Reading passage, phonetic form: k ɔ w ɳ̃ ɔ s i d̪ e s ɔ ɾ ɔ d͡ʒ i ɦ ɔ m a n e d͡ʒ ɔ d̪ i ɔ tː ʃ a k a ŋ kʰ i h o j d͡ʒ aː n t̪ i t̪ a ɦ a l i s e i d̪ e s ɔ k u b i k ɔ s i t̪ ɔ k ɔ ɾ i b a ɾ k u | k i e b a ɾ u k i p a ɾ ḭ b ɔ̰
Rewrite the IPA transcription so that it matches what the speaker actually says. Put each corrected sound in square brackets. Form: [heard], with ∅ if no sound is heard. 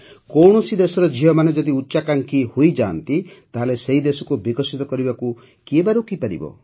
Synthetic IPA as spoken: k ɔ w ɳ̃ ɔ s i d̪ e s ɔ ɾ ɔ d͡ʒ i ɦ ɔ m a n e d͡ʒ ɔ d̪ i [u] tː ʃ a k a ŋ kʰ i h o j d͡ʒ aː n t̪ i t̪ a ɦ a l [e] s e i d̪ e s ɔ k u b i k ɔ s i t̪ ɔ k ɔ ɾ i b a [∅] k u | k i e b a ɾ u k i p a ɾ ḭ b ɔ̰